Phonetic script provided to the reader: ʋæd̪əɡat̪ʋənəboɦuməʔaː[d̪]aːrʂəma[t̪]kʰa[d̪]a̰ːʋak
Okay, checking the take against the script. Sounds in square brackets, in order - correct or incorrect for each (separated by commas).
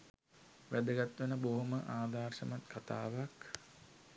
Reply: correct, correct, incorrect